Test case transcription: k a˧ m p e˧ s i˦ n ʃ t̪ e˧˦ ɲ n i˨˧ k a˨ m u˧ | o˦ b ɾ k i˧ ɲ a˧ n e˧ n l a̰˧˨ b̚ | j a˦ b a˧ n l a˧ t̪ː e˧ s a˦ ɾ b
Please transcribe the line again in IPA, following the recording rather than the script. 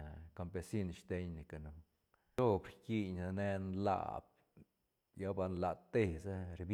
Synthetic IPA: k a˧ m p e˧ s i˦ n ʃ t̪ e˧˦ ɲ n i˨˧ k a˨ n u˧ | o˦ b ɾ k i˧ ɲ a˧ n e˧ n l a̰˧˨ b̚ | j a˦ b a˧ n l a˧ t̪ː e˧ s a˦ ɾ b